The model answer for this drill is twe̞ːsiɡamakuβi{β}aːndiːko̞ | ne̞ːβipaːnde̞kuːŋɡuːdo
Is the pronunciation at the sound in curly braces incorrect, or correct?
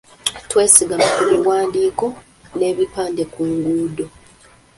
incorrect